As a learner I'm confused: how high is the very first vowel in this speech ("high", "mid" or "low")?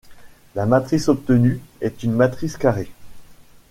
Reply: low